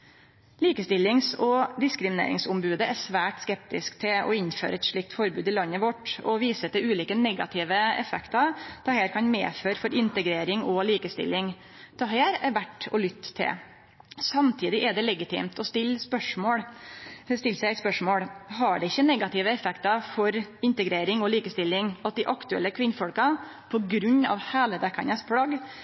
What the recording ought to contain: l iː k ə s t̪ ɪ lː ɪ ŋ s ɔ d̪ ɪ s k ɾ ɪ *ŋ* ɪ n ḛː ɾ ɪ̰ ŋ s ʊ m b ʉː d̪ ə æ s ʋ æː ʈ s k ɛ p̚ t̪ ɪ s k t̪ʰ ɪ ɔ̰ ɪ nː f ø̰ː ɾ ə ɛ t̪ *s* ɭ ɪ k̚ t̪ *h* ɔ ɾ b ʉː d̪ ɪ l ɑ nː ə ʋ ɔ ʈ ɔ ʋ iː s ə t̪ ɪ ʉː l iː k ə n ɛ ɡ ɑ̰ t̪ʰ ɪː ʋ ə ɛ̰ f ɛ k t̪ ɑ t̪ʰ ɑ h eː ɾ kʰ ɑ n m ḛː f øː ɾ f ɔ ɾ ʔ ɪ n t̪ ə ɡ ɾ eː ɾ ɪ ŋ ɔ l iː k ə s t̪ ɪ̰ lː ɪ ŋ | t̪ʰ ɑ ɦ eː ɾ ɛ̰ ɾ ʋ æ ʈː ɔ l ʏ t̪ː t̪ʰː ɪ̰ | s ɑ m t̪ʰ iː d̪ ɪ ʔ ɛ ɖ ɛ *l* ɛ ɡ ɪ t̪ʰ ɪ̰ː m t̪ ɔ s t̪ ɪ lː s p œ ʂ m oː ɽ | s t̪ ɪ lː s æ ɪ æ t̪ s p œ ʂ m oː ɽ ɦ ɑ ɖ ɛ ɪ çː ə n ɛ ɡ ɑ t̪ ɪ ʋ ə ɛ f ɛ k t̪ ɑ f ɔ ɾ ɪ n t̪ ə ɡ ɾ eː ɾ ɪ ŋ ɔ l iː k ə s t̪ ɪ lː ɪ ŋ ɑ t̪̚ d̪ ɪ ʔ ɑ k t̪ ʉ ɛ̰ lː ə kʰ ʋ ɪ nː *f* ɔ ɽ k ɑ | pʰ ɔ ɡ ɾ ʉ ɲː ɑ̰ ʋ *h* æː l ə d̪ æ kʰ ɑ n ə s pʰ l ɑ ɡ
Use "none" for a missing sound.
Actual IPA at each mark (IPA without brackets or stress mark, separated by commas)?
m, ʂ, f, l, f, h